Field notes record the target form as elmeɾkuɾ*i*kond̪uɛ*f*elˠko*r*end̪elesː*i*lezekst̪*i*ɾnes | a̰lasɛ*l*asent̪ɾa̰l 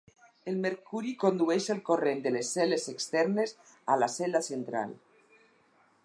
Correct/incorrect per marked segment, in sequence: correct, incorrect: ʃ, correct, incorrect: ɛ, incorrect: ɛ, correct

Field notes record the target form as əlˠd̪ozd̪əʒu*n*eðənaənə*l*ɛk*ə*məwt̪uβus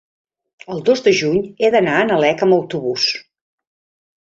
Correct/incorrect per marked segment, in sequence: incorrect: ɲ, correct, correct

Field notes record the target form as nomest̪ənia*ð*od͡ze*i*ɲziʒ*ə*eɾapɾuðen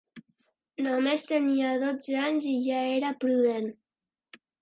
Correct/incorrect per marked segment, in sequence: correct, incorrect: a, incorrect: a

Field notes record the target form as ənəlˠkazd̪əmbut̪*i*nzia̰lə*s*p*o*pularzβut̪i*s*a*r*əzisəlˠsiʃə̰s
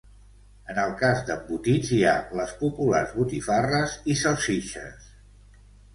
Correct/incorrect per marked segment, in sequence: correct, correct, incorrect: u, incorrect: f, correct

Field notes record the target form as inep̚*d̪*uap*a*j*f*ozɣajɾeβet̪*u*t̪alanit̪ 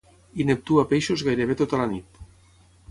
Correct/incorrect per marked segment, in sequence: incorrect: t̪, incorrect: e, incorrect: ʃ, incorrect: o

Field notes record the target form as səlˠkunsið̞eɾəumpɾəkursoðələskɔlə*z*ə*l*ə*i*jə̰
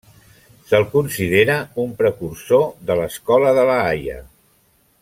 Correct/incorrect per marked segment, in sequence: incorrect: ð, correct, incorrect: a

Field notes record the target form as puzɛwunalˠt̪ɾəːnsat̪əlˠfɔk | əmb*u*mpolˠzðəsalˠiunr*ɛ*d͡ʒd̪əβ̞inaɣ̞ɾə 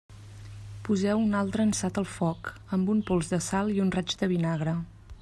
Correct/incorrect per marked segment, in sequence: correct, incorrect: a

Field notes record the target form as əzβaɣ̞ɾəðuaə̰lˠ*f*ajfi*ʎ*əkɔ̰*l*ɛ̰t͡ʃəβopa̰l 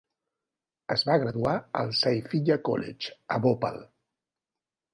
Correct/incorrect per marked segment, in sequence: incorrect: s, correct, correct

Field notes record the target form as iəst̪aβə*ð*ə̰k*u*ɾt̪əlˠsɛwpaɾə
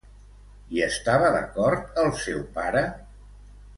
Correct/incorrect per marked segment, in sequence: correct, incorrect: ɔ

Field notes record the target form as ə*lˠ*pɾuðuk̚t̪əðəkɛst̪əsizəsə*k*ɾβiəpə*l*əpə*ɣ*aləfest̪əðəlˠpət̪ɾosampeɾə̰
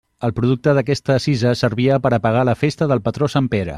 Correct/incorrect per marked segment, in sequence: correct, incorrect: none, incorrect: ɾ, correct

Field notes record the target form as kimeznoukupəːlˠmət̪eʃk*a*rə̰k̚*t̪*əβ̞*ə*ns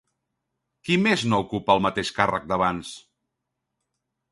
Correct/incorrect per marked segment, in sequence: correct, incorrect: d̪, incorrect: a

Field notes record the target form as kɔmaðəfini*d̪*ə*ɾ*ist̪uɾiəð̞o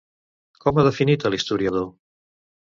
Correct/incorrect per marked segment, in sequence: incorrect: t̪, incorrect: l

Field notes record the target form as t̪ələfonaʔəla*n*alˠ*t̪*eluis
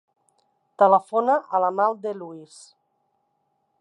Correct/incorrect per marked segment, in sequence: incorrect: m, incorrect: d̪

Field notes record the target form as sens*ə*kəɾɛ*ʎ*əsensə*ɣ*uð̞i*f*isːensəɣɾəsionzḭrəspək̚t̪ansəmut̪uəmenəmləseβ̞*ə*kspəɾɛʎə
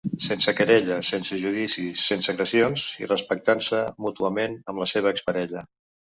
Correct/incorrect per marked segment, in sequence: correct, correct, incorrect: ʒ, incorrect: s, incorrect: əː

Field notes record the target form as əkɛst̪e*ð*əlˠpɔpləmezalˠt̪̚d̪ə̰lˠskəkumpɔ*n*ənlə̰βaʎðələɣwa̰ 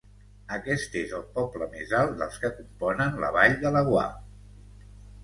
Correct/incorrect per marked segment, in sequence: incorrect: z, correct

